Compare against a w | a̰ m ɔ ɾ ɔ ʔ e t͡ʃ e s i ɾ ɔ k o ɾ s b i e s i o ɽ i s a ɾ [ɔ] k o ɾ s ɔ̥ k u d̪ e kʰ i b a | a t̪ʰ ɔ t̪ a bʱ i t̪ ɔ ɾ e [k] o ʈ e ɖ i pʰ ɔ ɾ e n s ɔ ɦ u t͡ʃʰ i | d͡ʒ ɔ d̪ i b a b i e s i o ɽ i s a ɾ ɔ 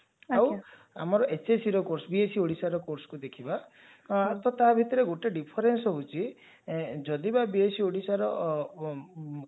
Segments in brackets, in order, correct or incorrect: correct, incorrect

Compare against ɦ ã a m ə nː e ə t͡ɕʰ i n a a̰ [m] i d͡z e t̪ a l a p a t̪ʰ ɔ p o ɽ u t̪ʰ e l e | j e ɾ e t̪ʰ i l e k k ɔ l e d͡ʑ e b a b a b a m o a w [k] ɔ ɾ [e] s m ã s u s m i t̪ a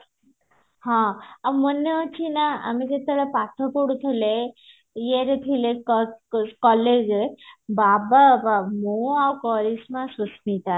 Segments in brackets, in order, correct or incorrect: correct, correct, incorrect

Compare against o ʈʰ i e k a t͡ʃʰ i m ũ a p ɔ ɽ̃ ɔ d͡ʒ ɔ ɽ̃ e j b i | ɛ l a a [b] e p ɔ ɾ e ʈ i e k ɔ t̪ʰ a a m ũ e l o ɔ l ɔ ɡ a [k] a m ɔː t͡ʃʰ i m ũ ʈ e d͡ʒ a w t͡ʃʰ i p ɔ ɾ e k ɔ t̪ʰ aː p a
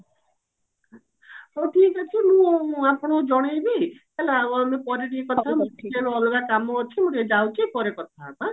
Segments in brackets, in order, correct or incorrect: incorrect, correct

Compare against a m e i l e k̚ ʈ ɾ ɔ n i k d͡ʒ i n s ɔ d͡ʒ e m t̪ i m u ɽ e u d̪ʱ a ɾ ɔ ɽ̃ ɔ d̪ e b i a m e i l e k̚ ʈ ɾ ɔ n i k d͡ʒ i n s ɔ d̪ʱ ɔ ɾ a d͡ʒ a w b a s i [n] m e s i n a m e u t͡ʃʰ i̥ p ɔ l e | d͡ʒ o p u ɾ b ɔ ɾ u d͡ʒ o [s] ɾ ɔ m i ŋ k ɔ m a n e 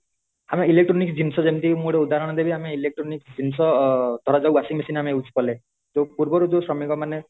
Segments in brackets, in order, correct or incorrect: incorrect, correct

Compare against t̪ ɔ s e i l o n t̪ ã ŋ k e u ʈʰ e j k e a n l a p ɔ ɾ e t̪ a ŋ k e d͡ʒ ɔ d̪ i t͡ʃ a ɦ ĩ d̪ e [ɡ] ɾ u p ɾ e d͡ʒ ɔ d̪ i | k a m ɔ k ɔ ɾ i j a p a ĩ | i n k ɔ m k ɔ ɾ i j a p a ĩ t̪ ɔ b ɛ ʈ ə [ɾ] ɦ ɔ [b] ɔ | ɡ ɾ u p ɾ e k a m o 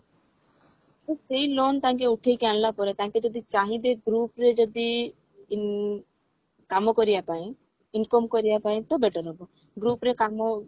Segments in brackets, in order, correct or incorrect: correct, correct, correct

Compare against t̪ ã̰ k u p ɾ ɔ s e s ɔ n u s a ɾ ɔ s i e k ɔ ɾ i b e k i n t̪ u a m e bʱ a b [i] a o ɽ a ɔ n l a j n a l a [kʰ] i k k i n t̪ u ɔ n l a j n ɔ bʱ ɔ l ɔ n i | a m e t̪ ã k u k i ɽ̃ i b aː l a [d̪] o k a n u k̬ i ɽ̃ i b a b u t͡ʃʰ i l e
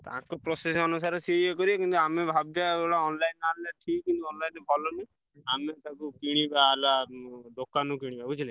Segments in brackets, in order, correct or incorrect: incorrect, incorrect, correct

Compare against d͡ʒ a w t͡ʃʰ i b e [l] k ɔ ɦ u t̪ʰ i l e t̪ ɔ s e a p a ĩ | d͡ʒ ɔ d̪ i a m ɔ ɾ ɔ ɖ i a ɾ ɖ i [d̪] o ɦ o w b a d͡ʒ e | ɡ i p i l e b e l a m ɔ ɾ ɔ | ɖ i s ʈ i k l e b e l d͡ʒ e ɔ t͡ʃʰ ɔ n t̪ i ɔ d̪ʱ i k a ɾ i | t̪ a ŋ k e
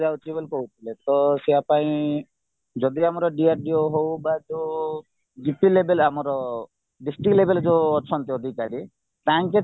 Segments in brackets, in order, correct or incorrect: correct, incorrect

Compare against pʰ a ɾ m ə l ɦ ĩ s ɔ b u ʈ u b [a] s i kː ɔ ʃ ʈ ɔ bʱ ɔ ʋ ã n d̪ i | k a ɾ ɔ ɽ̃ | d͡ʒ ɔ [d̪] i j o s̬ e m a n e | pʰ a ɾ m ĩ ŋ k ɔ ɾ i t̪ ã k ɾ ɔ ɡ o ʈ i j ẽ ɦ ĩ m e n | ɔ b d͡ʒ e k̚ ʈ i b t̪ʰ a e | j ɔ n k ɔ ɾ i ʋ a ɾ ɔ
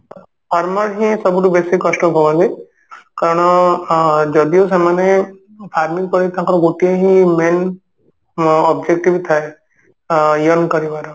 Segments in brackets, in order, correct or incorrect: incorrect, correct

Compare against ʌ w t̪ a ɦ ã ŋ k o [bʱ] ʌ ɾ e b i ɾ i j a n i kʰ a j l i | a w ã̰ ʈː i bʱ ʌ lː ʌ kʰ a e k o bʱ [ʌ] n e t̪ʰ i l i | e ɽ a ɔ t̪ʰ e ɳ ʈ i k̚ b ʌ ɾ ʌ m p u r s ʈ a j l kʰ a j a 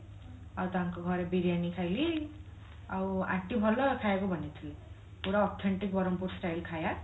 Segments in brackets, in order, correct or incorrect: incorrect, correct

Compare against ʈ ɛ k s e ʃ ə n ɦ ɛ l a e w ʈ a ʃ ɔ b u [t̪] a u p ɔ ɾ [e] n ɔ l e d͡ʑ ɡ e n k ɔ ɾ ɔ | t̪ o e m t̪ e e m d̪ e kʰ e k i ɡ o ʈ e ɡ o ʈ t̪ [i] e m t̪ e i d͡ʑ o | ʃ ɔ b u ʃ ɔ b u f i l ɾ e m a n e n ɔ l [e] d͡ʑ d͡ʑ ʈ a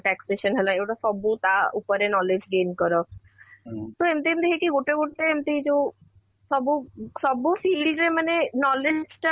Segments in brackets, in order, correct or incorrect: correct, correct, incorrect, correct

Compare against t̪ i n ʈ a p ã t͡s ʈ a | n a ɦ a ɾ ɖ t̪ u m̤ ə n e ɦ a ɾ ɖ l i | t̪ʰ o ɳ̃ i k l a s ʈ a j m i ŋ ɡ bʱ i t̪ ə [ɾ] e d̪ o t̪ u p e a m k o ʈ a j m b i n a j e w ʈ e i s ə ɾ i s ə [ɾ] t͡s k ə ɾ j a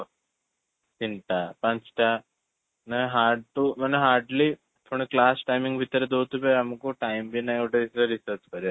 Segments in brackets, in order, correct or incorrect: correct, correct

